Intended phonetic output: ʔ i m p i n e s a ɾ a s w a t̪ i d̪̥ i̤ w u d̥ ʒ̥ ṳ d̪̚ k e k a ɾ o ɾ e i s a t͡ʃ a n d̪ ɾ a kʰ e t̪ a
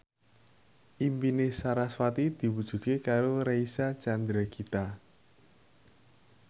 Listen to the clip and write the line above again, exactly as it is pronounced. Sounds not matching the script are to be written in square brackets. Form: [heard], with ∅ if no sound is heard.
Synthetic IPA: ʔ i m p i n e s a ɾ a s w a t̪ i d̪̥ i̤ w u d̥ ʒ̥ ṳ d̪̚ k e k a ɾ o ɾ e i s a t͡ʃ a n d̪ ɾ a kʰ [i] t̪ a